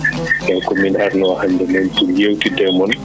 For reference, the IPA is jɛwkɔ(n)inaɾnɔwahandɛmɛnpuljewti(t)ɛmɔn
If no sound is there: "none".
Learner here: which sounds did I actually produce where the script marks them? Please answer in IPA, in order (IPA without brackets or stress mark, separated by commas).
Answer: m, d